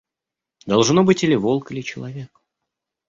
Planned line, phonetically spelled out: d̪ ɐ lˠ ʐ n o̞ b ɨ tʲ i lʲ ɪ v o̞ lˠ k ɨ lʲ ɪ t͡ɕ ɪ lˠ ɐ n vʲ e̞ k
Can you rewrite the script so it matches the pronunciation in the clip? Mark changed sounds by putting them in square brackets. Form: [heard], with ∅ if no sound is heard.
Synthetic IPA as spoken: d̪ ɐ lˠ ʐ n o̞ b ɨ tʲ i lʲ ɪ v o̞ lˠ k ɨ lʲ ɪ t͡ɕ ɪ lˠ ɐ [∅] vʲ e̞ k

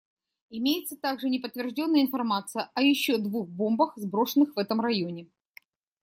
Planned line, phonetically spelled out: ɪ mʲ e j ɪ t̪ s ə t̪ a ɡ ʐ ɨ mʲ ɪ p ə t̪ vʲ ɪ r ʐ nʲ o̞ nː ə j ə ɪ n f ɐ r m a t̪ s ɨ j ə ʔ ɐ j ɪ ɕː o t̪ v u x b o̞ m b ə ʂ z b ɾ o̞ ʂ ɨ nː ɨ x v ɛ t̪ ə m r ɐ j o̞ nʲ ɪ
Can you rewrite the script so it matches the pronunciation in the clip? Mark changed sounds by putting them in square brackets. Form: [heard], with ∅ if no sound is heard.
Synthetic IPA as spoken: ɪ mʲ e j ɪ t̪ s ə t̪ a ɡ ʐ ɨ [nʲ] ɪ p ə t̪ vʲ ɪ r ʐ [dʲ] o̞ nː ə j ə ɪ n f ɐ r m a t̪ s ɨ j ə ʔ ɐ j ɪ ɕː o [d̪] v u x b o̞ m b ə [x] z b ɾ o̞ ʂ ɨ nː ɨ x v ɛ t̪ ə m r ɐ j o̞ nʲ ɪ

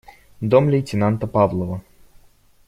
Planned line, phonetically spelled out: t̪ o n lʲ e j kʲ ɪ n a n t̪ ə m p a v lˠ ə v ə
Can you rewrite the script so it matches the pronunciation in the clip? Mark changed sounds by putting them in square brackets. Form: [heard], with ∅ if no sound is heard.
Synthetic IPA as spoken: [d̪] o [m] lʲ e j [tʲ] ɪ n a n t̪ ə [∅] p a v lˠ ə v ə

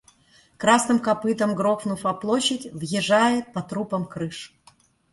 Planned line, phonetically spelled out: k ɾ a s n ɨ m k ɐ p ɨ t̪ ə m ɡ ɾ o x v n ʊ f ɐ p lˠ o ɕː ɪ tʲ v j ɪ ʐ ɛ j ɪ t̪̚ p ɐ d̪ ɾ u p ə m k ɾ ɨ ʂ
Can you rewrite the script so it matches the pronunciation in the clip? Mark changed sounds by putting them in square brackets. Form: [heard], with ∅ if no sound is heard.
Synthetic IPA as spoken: k ɾ a s n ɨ m k ɐ p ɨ t̪ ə m ɡ ɾ o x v n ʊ f ɐ p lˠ o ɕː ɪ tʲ v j ɪ ʐ [a] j ɪ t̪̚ p ɐ [t̪] ɾ u p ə m k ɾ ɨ ʂ

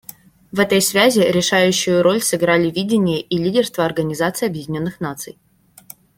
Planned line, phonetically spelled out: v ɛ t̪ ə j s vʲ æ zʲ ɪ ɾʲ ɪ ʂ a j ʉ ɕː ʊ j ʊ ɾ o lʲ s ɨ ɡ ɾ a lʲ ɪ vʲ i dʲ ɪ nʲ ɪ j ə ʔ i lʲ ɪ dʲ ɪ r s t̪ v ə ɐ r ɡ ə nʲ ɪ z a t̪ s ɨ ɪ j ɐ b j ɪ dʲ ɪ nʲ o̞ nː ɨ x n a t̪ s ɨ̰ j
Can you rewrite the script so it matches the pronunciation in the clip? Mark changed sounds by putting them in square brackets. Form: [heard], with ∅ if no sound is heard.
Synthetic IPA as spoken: v ɛ t̪ ə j s vʲ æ zʲ ɪ ɾʲ ɪ ʂ a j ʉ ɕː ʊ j ʊ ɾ o lʲ s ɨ ɡ ɾ a lʲ ɪ vʲ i dʲ ɪ nʲ ɪ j ə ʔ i lʲ [i] dʲ ɪ r s t̪ v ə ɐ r ɡ ə nʲ ɪ z a t̪ s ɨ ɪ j ɐ b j ɪ dʲ ɪ nʲ o̞ nː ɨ x n a t̪ s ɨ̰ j

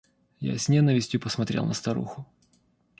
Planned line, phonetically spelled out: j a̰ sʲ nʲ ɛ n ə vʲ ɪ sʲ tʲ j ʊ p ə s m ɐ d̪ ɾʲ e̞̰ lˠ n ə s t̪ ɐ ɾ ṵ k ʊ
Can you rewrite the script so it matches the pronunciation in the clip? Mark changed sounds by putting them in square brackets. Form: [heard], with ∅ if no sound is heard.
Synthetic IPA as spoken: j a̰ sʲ nʲ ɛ n ə vʲ ɪ sʲ tʲ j ʊ p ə s m ɐ [t̪] ɾʲ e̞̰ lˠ n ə s t̪ ɐ ɾ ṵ [x] ʊ

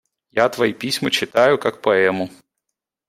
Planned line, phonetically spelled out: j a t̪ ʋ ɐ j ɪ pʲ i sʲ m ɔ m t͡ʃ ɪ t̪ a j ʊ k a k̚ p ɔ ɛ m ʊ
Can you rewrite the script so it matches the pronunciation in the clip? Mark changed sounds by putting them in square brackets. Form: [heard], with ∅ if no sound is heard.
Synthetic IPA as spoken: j a t̪ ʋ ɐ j [i] pʲ i sʲ m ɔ [∅] t͡ʃ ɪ t̪ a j ʊ k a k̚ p ɔ ɛ m ʊ

